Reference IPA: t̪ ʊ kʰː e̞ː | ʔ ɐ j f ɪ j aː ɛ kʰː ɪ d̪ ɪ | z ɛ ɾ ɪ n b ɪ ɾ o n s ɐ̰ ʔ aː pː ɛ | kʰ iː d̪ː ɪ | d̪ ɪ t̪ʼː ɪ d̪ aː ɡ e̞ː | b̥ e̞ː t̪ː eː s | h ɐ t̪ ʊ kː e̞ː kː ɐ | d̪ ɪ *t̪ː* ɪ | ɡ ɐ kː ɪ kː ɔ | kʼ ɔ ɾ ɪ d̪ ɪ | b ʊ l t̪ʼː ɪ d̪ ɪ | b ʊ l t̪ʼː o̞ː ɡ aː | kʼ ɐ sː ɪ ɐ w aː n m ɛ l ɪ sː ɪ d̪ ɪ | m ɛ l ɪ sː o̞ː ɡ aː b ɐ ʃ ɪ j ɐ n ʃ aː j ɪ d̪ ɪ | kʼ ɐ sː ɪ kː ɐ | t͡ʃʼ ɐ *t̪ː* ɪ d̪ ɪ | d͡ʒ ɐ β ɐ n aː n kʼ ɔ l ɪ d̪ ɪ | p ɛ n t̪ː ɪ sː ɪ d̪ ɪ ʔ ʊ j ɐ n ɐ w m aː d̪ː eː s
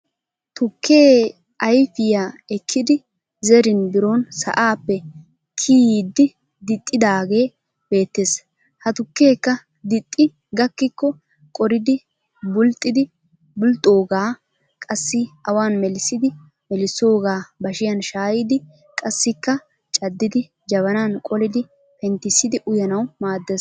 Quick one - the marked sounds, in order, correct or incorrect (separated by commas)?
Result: incorrect, incorrect